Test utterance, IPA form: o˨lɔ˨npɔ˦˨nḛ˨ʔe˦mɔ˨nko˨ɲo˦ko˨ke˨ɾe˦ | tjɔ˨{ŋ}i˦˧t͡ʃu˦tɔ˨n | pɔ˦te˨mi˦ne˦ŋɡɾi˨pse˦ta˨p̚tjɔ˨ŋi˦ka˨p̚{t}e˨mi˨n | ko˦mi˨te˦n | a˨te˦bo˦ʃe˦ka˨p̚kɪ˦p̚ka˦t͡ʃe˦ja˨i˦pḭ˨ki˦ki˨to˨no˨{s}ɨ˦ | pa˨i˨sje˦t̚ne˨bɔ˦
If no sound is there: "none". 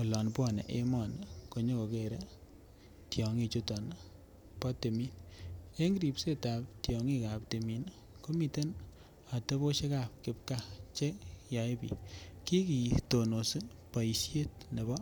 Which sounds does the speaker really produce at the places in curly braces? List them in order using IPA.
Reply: ŋ, t, s

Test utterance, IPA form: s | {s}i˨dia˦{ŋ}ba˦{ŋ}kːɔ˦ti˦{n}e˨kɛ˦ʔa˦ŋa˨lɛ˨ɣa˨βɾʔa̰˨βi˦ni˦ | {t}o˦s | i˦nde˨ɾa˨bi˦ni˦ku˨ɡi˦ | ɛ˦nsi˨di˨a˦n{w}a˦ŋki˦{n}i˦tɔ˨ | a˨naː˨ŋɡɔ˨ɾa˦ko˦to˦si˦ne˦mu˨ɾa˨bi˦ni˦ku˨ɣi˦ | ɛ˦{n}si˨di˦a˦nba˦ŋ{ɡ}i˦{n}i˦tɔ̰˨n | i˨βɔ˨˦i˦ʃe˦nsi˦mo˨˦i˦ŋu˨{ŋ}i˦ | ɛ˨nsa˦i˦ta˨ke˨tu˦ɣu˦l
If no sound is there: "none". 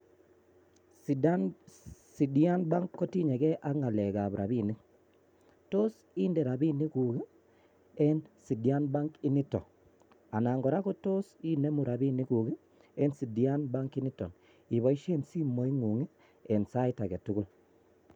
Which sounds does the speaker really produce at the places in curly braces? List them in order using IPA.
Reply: s, n, ŋ, ɲ, t, b, n, n, k, n, ŋ

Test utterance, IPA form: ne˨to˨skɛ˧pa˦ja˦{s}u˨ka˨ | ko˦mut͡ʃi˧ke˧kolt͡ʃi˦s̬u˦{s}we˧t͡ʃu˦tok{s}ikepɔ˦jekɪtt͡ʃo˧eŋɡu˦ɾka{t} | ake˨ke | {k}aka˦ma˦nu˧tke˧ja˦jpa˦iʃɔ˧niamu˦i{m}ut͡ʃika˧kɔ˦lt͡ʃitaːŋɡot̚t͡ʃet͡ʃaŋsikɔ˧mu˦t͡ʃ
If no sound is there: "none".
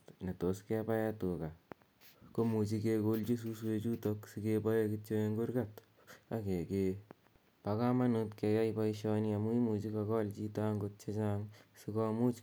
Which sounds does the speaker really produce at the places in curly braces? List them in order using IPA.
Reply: t, s, s, t, p, m

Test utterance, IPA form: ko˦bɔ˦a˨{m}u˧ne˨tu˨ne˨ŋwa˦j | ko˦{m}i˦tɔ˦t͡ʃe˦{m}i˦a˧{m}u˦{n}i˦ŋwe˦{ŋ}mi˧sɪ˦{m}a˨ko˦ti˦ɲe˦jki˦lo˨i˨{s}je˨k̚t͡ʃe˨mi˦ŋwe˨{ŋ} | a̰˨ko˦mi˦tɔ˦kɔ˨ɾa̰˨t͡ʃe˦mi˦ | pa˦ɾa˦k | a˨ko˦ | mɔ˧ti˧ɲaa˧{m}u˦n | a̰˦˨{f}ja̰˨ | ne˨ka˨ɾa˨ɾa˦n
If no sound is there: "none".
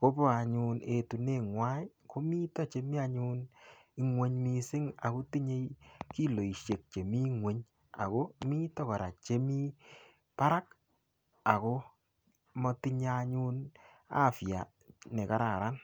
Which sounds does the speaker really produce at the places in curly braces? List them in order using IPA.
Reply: ɲ, m, m, ɲ, n, ɲ, ŋ, ʃ, ɲ, ɲ, f

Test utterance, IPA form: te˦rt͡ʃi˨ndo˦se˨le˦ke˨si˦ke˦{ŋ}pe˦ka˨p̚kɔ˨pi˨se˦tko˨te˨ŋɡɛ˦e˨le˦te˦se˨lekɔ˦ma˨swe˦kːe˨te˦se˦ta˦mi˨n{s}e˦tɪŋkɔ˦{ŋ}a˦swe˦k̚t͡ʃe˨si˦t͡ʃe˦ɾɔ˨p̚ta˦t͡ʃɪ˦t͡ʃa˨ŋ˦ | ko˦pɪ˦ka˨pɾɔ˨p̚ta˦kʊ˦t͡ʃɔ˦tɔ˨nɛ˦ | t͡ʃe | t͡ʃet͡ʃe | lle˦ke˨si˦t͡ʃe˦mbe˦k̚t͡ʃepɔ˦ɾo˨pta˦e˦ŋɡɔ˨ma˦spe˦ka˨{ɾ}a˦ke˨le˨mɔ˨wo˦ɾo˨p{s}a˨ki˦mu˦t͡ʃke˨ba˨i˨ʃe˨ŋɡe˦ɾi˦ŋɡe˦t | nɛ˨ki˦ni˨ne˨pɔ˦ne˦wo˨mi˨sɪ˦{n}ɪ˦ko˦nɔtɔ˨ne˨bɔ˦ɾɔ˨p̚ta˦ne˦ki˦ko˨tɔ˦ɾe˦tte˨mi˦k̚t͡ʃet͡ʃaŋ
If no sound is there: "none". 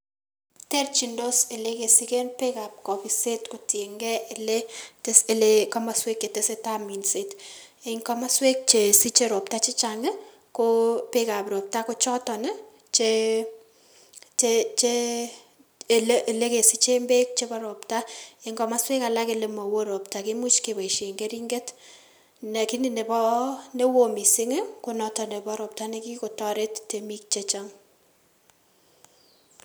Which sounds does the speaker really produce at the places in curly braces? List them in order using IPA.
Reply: n, s, m, l, t, ŋ

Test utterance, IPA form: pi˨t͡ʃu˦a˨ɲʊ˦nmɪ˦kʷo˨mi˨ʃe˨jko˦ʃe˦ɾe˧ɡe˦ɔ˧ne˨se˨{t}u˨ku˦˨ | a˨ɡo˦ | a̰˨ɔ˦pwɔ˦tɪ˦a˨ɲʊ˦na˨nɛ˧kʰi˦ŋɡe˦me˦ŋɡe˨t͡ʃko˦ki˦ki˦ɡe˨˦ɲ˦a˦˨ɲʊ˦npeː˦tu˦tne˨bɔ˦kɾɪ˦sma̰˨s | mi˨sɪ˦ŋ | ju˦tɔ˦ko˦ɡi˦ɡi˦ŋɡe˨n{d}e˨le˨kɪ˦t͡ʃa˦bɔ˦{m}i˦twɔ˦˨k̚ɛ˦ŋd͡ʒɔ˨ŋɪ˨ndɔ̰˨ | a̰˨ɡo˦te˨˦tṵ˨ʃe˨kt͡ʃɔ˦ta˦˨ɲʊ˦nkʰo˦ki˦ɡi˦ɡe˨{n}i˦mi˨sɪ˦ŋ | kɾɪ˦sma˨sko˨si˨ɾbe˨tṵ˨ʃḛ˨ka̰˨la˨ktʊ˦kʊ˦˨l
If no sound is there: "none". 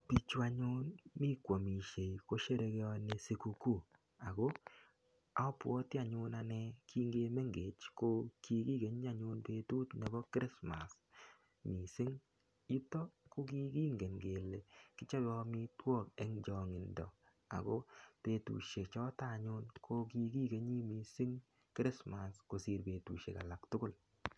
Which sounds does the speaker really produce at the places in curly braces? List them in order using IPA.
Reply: k, ɡ, m, ɲ

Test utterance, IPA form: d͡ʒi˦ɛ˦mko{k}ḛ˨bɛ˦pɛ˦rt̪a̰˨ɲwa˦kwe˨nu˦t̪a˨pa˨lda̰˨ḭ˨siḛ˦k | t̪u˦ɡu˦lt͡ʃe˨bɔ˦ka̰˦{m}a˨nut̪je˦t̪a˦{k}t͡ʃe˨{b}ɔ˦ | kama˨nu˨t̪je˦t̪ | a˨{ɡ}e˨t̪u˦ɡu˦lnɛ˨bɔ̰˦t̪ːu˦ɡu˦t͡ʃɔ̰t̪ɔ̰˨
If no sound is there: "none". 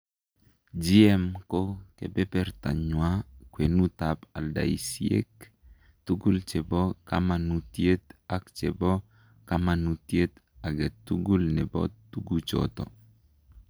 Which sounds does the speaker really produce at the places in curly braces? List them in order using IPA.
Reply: k, m, k, b, ɡ

